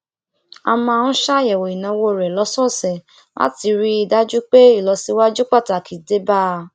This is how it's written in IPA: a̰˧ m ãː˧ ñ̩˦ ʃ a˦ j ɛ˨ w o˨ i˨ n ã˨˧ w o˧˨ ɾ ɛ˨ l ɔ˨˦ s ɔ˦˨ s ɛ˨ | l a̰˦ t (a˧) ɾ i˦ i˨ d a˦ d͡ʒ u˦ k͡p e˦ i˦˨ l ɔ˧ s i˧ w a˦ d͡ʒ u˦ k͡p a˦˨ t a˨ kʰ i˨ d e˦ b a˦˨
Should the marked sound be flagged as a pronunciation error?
yes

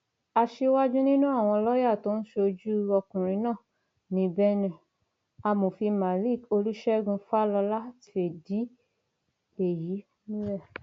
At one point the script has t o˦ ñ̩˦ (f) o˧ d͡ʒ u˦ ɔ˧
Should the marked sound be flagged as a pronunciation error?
yes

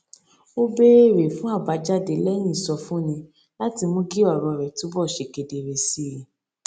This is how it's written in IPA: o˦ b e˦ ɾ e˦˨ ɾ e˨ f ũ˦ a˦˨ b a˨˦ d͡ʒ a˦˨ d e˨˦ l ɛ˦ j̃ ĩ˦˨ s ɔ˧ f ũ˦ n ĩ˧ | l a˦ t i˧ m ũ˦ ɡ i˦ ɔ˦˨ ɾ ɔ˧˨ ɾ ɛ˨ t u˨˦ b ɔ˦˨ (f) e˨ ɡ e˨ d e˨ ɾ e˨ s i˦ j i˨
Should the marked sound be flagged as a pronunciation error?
yes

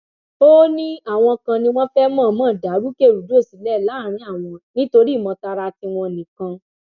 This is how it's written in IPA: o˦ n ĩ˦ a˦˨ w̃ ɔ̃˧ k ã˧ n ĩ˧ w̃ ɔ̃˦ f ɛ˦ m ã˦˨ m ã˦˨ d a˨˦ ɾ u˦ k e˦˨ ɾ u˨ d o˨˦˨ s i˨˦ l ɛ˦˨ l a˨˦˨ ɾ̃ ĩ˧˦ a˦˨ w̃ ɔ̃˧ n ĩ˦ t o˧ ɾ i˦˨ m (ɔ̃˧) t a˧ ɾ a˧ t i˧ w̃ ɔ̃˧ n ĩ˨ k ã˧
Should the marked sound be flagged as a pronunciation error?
no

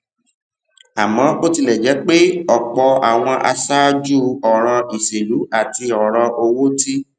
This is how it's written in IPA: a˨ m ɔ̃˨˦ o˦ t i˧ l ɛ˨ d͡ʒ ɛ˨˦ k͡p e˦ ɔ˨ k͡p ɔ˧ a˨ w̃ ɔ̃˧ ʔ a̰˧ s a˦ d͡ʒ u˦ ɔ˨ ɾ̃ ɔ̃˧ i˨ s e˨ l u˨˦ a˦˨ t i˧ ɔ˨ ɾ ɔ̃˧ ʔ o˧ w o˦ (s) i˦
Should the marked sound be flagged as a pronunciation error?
yes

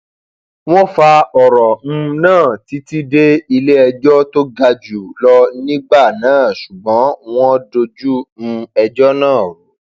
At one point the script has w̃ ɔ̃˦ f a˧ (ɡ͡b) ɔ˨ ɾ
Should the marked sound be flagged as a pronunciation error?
yes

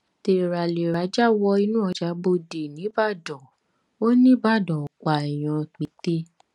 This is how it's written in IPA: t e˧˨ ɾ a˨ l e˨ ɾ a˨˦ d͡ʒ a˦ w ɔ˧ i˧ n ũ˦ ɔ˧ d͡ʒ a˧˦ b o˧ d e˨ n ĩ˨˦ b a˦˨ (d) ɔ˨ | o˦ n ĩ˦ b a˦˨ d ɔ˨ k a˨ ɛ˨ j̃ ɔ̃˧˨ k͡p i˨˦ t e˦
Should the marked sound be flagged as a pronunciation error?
no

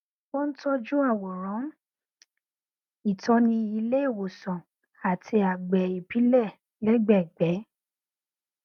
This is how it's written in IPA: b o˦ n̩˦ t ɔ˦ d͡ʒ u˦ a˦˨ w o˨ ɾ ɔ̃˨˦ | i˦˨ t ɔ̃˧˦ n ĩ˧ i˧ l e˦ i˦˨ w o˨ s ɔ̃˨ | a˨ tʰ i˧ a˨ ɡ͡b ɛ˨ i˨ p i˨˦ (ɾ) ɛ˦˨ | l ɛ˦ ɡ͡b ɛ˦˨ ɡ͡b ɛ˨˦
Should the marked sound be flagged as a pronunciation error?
yes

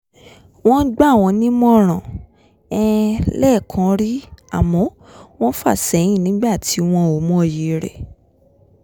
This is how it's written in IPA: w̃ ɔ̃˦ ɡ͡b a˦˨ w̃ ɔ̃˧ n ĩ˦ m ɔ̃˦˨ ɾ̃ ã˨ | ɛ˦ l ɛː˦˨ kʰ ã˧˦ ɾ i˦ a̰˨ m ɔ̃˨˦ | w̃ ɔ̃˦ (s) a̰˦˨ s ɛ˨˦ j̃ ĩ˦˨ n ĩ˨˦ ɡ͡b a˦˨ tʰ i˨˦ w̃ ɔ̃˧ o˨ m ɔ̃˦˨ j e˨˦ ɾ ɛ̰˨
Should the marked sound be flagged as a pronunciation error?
yes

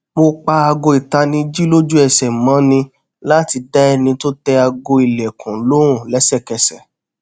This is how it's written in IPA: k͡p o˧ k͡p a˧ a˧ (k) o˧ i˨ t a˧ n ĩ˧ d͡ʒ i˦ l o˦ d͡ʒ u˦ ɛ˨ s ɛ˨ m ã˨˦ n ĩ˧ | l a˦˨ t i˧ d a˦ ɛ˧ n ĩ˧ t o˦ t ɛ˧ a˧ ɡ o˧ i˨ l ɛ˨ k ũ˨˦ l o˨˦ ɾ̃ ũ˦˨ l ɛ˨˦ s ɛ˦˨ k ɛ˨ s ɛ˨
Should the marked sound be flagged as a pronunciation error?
yes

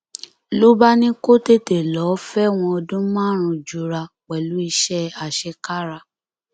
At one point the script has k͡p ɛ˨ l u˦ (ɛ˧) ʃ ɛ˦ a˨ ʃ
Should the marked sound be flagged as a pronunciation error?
yes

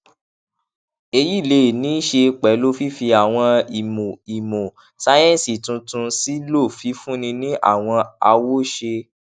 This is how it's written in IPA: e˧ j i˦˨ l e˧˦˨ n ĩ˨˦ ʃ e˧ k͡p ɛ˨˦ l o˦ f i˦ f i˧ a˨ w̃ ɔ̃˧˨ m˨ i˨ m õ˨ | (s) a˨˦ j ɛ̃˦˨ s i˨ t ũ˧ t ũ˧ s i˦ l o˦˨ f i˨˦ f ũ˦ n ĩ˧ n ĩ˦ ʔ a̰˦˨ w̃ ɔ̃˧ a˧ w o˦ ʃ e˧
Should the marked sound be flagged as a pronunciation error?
no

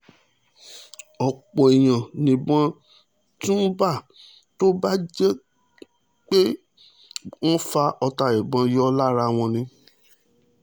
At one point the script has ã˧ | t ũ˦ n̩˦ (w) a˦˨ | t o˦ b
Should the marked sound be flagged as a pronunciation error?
yes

